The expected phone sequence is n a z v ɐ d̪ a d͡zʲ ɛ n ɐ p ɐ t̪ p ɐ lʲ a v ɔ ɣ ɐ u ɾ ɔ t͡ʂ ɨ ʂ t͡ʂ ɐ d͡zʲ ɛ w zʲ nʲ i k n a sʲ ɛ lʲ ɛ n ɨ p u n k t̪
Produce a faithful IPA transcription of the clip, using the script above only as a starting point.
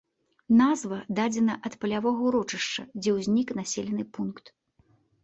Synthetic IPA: n a z v ɐ d̪ a d͡zʲ ɛ n ɐ ʔ ɐ t̪ p ɐ lʲ a v ɔ ɣ ɐ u ɾ ɔ t͡ʂ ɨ ʂ t͡ʂ ɐ d͡zʲ ɛ w zʲ nʲ i k n a sʲ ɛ lʲ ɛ n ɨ p u n k t̪